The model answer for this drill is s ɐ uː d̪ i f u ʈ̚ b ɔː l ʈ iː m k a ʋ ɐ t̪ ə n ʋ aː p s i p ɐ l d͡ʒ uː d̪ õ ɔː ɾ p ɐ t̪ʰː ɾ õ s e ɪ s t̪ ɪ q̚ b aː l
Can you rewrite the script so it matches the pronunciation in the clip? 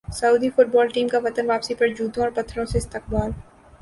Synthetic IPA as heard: s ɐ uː d̪ i f ʊ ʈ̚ b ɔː l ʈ iː m k a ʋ ɐ t̪ ə n ʋ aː p s i p ɐ ɾ d͡ʒ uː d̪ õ ɔː ɾ p ɐ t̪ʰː ɾ õ s e ɪ s t̪ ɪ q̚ b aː l